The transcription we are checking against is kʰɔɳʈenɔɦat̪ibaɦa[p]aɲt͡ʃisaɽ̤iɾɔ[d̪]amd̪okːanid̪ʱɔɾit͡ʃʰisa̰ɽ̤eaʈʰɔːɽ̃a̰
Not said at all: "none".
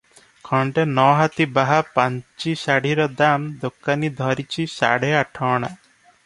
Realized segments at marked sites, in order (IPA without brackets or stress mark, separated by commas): p, d̪